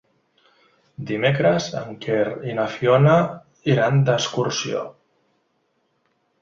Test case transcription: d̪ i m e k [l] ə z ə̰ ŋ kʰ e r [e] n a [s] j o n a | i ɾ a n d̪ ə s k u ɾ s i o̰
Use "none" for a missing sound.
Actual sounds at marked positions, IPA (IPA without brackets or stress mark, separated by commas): ɾ, i, f